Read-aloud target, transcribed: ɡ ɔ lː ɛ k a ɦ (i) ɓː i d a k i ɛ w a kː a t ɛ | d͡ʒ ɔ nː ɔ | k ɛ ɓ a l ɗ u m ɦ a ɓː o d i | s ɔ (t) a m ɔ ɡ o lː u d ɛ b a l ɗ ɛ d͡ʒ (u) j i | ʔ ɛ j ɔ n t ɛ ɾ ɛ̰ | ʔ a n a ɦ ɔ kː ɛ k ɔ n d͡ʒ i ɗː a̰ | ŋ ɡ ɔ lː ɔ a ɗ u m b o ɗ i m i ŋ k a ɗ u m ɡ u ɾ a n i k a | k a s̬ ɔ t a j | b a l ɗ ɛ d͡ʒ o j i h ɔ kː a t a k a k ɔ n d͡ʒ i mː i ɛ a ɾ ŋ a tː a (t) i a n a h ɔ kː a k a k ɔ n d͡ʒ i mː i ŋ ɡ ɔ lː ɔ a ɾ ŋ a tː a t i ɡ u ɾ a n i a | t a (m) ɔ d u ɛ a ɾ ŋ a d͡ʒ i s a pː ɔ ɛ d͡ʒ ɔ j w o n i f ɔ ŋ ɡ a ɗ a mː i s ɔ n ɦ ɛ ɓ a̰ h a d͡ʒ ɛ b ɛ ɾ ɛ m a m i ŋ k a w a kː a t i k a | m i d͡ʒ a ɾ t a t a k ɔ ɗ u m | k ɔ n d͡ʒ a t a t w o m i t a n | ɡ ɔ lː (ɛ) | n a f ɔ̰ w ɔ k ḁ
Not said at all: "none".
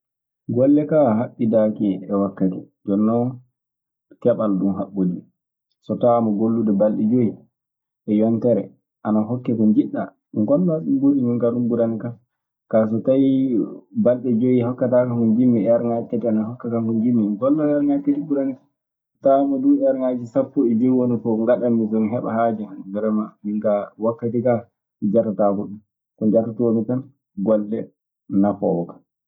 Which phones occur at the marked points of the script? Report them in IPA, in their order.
a, t, o, t, m, ɛ

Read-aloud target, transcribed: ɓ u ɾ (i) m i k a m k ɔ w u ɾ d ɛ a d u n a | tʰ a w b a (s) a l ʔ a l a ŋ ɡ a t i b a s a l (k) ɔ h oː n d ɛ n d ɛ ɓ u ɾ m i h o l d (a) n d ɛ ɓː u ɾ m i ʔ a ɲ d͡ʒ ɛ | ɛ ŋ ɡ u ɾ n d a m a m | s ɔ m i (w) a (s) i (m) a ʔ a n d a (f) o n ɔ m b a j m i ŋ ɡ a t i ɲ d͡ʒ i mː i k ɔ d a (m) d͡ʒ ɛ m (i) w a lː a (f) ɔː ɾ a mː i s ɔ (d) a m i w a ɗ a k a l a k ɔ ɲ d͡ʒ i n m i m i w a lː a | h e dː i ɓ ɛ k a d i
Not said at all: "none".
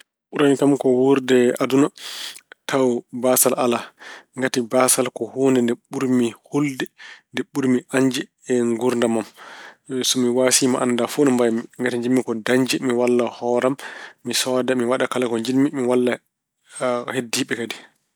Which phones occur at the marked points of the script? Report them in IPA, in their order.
a, s, k, ɛ, w, s, m, f, ɲ, i, h, d

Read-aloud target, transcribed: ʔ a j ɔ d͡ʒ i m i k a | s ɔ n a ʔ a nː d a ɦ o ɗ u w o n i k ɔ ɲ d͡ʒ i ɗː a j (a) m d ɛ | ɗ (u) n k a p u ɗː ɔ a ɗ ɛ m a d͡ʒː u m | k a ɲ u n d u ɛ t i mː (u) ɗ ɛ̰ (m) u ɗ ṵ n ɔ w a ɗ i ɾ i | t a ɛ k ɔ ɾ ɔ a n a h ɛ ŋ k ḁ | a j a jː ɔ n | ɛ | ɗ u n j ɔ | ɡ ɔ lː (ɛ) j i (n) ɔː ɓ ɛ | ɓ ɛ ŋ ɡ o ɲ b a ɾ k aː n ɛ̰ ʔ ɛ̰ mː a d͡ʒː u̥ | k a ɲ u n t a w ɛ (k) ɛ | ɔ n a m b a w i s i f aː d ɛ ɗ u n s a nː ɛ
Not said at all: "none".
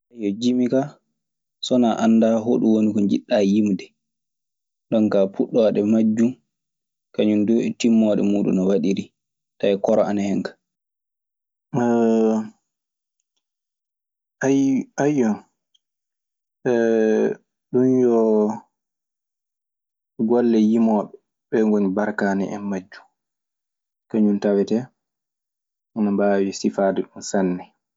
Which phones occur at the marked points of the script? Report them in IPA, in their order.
i, ɔ, ɔ, m, ɛ, m, t

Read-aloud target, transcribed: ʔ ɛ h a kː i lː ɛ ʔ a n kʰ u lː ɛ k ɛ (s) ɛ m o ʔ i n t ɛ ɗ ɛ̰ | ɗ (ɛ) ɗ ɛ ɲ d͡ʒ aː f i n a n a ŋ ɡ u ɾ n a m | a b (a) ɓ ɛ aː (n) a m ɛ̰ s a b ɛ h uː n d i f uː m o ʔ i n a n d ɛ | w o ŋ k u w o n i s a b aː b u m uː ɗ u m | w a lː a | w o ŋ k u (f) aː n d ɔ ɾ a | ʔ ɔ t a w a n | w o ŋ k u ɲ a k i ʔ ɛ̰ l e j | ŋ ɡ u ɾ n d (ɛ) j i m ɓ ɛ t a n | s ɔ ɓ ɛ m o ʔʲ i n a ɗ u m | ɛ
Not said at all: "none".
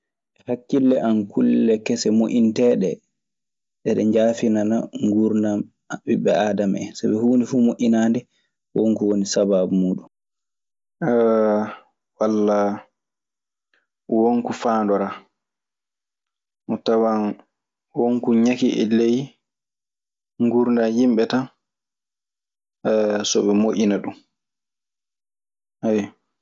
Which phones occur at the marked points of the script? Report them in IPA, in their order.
s, ɛ, i, d, f, a

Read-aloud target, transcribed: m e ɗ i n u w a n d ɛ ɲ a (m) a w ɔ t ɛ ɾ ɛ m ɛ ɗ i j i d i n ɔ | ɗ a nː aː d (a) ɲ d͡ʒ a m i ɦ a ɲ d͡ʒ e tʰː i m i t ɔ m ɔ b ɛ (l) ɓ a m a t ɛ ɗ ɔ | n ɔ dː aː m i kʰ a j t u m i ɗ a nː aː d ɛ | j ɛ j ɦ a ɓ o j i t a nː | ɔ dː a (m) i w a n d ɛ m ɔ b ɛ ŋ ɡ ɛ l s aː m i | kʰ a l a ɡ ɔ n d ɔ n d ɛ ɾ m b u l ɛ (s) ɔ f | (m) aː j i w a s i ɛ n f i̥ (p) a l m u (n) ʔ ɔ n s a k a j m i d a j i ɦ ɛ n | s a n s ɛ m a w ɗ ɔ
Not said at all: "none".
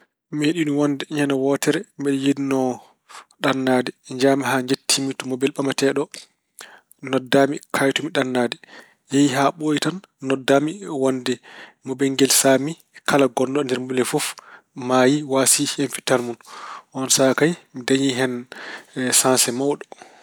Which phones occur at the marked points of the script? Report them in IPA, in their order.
n, ɛ, l, m, f, m, t, n

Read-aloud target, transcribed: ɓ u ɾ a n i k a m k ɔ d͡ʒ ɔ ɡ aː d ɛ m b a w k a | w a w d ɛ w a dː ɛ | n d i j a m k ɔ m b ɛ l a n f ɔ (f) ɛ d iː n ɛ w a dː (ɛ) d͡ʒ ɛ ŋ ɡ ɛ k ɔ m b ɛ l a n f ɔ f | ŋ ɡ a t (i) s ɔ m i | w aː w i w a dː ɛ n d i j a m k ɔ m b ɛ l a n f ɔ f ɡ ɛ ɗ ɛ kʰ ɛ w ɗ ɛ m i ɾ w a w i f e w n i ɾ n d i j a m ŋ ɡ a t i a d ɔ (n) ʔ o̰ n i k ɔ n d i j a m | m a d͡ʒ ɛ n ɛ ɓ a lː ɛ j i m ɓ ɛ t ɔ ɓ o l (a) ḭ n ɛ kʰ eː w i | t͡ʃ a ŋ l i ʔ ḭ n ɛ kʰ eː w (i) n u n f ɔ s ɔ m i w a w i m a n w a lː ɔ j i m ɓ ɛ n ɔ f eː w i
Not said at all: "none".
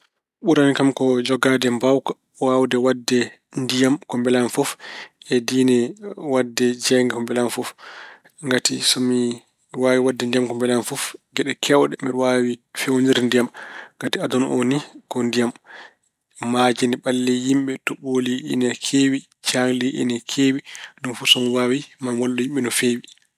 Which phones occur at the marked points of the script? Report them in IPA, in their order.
f, ɛ, i, n, i, i

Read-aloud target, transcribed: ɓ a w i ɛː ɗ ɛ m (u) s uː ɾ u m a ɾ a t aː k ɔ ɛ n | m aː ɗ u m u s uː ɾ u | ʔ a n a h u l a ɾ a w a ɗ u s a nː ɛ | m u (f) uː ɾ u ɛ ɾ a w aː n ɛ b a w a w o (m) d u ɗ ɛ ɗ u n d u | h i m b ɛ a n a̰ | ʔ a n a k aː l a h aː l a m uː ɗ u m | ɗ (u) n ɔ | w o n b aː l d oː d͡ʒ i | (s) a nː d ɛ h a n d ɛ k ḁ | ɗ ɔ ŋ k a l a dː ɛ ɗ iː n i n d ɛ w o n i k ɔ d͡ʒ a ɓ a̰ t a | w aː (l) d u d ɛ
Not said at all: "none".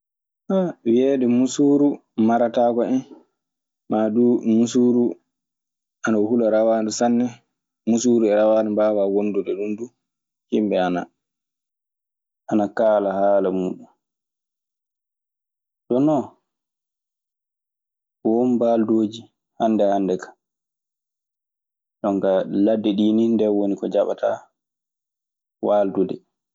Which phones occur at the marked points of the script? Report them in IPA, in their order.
u, s, n, ɔ, h, l

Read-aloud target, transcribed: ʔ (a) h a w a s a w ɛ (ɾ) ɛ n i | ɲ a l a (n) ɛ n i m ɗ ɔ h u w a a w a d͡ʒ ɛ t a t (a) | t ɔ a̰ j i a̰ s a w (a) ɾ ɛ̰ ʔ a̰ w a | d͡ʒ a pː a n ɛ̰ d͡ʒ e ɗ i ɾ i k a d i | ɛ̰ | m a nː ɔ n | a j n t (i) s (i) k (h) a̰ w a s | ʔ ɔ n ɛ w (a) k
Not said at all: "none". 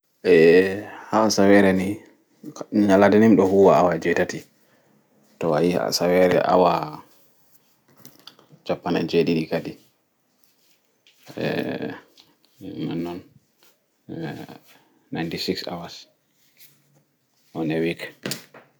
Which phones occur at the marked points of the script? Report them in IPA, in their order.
ɛ, ɾ, d, i, ɛ, i, i, s, i

